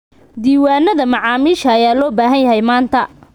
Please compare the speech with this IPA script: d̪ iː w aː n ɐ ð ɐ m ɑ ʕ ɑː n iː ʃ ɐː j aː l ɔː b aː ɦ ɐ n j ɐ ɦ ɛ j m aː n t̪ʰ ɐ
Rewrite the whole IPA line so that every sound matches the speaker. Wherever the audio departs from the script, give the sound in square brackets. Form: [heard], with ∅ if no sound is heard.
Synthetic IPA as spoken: d̪ iː w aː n ɐ ð ɐ m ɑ ʕ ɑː [m] iː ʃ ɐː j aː l ɔː b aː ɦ ɐ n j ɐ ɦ ɛ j m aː n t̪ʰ ɐ

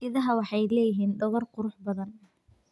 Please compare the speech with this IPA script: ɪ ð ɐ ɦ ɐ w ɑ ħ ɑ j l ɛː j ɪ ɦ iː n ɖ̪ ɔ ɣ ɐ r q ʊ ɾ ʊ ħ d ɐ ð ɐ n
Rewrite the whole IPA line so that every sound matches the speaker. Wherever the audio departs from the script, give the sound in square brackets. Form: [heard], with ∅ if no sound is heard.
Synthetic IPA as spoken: ɪ ð ɐ ɦ ɐ w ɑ ħ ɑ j l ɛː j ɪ ɦ iː n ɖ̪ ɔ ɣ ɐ r q ʊ ɾ ʊ ħ [b] ɐ ð ɐ n

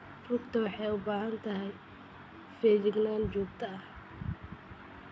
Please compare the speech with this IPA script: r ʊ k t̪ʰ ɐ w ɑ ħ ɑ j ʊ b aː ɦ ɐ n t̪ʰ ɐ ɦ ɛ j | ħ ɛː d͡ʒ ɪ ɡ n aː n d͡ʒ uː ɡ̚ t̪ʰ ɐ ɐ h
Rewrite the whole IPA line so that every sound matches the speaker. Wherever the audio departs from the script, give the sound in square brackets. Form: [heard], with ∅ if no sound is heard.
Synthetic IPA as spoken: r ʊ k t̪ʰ ɐ w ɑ ħ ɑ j ʊ b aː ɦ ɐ n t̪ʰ ɐ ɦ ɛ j | [f] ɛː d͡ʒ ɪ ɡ n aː n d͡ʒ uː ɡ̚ t̪ʰ ɐ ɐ h

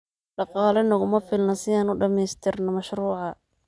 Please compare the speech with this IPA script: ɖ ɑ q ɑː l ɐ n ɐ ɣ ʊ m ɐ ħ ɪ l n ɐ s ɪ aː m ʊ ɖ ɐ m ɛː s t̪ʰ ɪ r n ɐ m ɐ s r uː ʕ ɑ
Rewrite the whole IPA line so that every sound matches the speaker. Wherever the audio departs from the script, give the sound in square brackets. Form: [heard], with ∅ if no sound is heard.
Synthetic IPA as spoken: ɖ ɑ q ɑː l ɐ n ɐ ɣ ʊ m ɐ [f] ɪ l n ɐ s ɪ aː [n] ʊ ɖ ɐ m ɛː s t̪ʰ ɪ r n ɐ m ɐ [ʃ] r uː ʕ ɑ

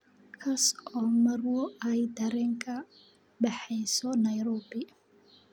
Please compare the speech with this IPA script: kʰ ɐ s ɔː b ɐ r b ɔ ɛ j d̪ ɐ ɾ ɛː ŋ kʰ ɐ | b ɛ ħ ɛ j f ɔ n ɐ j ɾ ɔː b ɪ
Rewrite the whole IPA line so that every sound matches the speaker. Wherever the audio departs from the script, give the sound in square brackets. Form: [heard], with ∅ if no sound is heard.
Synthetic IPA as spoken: kʰ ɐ s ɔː [m] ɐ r [w] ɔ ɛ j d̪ ɐ ɾ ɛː ŋ kʰ ɐ | b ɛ ħ ɛ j [s] ɔ n ɐ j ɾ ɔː b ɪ

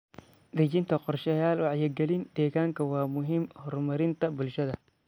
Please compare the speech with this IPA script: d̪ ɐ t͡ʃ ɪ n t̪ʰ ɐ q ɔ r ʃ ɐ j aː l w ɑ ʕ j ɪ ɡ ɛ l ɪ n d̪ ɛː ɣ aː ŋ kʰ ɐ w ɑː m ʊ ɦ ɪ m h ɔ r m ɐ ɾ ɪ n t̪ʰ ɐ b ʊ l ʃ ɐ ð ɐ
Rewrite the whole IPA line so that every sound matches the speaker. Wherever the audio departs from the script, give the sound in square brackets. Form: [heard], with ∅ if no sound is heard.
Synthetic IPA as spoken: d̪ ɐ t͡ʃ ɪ n t̪ʰ ɐ q ɔ r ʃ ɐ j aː l w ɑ ʕ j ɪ ɡ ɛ l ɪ n d̪ ɛː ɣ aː ŋ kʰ ɐ w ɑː m ʊ ɦ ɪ m h ɔ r m ɐ ɾ ɪ n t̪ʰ ɐ b ʊ l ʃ ɐ ð ɐ

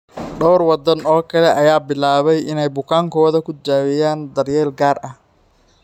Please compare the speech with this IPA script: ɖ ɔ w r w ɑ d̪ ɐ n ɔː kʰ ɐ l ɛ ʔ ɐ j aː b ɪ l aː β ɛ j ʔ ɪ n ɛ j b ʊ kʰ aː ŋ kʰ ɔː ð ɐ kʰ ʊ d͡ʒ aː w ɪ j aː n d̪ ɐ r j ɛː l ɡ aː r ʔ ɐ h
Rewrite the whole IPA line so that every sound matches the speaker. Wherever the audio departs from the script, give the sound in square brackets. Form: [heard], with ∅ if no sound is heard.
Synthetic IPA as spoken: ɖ ɔ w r w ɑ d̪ ɐ n ɔː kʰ ɐ l ɛ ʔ ɐ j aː b ɪ l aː β ɛ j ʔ ɪ n ɛ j b ʊ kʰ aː ŋ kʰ ɔː ð ɐ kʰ ʊ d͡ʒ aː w ɪ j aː n d̪ ɐ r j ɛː l ɡ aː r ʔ ɐ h

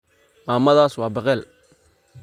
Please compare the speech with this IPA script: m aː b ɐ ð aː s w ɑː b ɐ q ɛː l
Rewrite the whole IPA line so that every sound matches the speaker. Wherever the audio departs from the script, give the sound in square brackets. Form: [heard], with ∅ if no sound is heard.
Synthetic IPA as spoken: m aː [m] ɐ ð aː s w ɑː b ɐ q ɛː l

